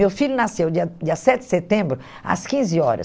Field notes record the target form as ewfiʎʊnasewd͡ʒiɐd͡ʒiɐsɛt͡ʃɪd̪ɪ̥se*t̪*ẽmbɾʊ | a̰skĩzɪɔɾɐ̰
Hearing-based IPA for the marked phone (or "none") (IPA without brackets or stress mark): t̪